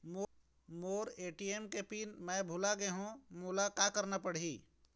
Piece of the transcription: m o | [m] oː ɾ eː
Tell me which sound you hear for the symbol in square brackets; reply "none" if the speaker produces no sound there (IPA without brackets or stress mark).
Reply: m